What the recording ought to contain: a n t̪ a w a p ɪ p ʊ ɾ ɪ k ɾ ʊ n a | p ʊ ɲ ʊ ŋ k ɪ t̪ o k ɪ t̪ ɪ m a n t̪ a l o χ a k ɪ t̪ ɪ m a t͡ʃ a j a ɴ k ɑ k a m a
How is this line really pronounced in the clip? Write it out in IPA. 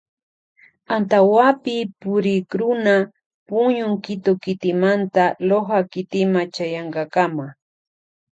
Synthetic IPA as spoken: a n t̪ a w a p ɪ p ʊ ɾ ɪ k ɾ ʊ n a | p ʊ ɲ ʊ ŋ k ɪ t̪ o k ɪ t̪ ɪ m a n t̪ a l o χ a k ɪ t̪ ɪ m a t͡ʃ a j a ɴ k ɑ k a m a